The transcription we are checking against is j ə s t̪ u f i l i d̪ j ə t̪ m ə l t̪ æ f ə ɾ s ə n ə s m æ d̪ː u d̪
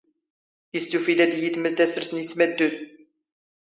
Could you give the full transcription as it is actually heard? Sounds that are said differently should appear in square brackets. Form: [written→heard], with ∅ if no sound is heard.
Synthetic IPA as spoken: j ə s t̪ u f i l [i→æ] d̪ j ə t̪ m ə l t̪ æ [f→s] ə ɾ s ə n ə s m æ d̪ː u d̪